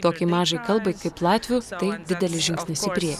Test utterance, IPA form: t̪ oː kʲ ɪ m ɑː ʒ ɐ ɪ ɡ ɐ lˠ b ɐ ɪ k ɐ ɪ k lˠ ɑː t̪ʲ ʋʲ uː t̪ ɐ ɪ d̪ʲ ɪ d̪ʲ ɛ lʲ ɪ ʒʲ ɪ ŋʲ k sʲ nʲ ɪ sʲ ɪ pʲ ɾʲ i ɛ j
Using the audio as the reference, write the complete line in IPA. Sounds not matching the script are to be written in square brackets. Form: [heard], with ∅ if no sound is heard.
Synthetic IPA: t̪ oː kʲ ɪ m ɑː ʒ ɐ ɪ [k] ɐ lˠ b ɐ ɪ k ɐ ɪ [p] lˠ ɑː t̪ʲ ʋʲ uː t̪ ɐ ɪ d̪ʲ ɪ d̪ʲ ɛ lʲ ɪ ʒʲ ɪ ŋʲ k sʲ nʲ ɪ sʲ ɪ pʲ ɾʲ i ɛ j